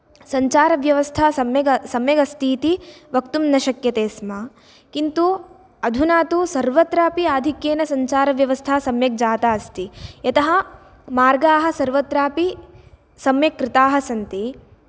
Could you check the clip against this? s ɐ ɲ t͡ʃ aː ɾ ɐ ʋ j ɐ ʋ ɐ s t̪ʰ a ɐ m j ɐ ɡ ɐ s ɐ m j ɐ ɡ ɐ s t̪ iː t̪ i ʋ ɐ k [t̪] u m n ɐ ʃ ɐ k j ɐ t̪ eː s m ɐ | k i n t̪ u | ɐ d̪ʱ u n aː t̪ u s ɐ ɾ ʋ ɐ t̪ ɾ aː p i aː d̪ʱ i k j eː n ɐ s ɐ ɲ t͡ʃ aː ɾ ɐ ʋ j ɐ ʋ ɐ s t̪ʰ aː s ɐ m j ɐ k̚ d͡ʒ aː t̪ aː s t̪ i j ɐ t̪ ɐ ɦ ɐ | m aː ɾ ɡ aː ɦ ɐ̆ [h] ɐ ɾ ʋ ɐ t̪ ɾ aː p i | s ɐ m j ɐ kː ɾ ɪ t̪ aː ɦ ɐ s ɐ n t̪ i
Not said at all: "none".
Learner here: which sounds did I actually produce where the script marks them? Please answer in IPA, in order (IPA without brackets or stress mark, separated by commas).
t̪, s